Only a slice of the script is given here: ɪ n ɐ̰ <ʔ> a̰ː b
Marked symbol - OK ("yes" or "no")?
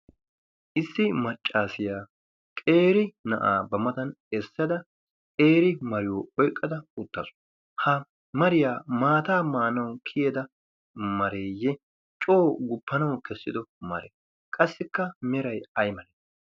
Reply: yes